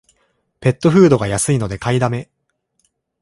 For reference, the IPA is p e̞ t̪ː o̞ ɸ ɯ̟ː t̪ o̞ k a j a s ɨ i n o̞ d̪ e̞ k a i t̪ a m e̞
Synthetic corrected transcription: p e̞ t̪ː o̞ ɸ ɯ̟ː d̪ o̞ ɡ a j a s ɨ i n o̞ d̪ e̞ k a i d̪ a m e̞

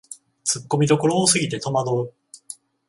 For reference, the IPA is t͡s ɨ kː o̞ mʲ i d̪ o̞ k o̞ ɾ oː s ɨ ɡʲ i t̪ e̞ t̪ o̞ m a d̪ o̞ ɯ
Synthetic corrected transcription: t͡s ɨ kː o̞ mʲ i d̪ o̞ k o̞ ɾ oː s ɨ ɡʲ i t̪ e̞ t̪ o̞ m a d̪ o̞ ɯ

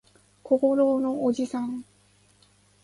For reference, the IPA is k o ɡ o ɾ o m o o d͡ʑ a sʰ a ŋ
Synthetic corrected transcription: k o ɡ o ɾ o n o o d͡ʑ i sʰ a ŋ

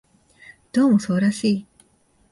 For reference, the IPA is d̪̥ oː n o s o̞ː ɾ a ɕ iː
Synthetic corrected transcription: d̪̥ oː m o s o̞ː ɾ a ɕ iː

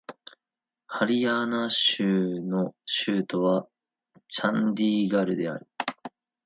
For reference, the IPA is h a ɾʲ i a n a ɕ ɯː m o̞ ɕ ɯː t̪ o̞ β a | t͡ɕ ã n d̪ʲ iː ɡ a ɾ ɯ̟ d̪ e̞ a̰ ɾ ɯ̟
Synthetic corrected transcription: h a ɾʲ i a n a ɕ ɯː n o̞ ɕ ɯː t̪ o̞ β a | t͡ɕ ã n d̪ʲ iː ɡ a ɾ ɯ̟ d̪ e̞ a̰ ɾ ɯ̟

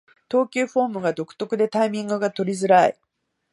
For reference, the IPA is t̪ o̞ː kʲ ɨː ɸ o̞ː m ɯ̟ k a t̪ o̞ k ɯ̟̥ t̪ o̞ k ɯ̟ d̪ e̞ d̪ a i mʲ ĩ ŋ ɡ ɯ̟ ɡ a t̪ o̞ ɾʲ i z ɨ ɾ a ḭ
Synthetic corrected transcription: t̪ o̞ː kʲ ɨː ɸ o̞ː m ɯ̟ ɡ a d̪ o̞ k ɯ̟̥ t̪ o̞ k ɯ̟ d̪ e̞ t̪ a i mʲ ĩ ŋ ɡ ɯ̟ ɡ a t̪ o̞ ɾʲ i z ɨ ɾ a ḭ

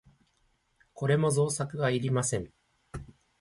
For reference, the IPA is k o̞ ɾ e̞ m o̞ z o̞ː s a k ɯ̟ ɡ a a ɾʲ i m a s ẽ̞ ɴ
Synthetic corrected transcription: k o̞ ɾ e̞ m o̞ z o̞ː s a k ɯ̟ ɡ a i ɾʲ i m a s ẽ̞ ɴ

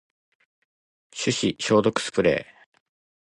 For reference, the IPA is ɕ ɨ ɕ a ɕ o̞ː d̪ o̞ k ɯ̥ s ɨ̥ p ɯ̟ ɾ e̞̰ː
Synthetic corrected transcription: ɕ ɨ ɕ i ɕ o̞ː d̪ o̞ k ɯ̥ s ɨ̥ p ɯ̟ ɾ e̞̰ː

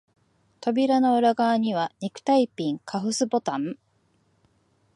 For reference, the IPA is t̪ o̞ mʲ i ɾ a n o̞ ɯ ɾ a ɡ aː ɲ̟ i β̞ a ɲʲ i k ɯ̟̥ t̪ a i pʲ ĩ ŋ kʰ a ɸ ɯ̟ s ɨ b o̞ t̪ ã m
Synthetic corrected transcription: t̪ o̞ bʲ i ɾ a n o̞ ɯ ɾ a ɡ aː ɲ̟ i β̞ a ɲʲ i k ɯ̟̥ t̪ a i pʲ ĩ ŋ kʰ a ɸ ɯ̟ s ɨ b o̞ t̪ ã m

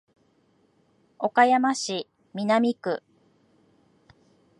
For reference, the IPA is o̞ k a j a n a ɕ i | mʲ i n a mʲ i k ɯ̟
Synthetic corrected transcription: o̞ k a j a m a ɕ i | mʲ i n a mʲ i k ɯ̟

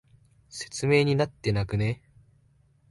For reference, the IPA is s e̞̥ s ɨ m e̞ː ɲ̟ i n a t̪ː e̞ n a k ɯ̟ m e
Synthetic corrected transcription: s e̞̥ t͡s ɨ m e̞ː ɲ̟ i n a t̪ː e̞ n a k ɯ̟ n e

